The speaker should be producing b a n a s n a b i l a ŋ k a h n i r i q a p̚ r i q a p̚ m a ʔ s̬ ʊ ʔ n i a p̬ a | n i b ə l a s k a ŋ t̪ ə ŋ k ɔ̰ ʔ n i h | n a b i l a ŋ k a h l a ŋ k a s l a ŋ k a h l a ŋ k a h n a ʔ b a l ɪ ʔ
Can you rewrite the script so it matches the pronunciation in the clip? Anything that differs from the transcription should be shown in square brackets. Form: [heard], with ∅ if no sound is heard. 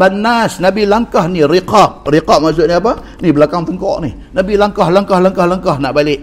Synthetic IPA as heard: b a n a s n a b i l a ŋ k a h n i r i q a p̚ r i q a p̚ m a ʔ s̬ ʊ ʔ n i a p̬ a | n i b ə l a [∅] k a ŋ t̪ ə ŋ k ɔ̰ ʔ n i h | n a b i l a ŋ k a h l a ŋ k a [h] l a ŋ k a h l a ŋ k a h n a ʔ b a l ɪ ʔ